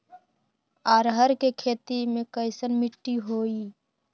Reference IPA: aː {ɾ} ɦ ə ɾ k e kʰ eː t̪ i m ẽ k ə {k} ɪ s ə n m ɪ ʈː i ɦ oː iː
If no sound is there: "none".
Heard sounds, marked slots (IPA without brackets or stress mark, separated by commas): ɾ, none